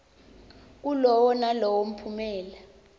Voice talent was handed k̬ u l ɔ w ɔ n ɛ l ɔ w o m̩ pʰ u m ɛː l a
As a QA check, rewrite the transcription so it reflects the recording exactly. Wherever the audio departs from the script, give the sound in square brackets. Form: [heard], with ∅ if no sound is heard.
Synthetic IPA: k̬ u l ɔ w ɔ n [a] l ɔ w o m̩ pʰ u m ɛː l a